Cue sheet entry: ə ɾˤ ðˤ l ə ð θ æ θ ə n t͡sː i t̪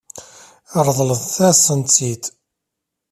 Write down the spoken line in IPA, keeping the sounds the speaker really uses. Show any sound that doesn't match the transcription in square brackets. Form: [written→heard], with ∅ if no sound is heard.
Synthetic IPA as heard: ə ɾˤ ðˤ l ə ð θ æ [θ→s] ə n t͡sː i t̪